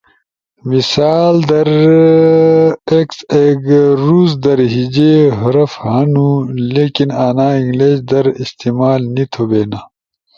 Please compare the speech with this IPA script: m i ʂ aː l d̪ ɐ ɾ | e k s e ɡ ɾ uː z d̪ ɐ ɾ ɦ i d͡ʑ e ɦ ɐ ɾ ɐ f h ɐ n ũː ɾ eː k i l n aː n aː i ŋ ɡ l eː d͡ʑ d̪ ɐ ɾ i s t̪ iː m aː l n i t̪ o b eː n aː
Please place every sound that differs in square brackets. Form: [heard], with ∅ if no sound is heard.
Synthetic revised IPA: m i [s] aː l d̪ ɐ ɾ | e k s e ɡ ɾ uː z d̪ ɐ ɾ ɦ i d͡ʑ e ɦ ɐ ɾ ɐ f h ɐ n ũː [l] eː k i [∅] n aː n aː i ŋ ɡ l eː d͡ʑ d̪ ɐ ɾ i s t̪ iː m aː l n i [t̪ʰ] o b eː n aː